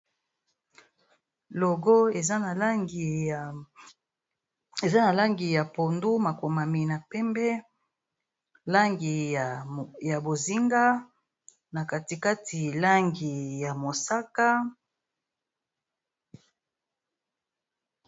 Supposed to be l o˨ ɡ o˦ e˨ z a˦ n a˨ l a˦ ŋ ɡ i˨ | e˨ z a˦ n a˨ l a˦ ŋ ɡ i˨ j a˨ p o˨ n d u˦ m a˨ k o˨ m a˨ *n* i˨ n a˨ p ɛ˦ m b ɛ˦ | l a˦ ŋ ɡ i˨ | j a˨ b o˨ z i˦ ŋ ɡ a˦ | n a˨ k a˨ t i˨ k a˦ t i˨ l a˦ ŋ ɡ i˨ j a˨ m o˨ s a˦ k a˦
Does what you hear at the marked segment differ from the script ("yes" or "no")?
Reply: yes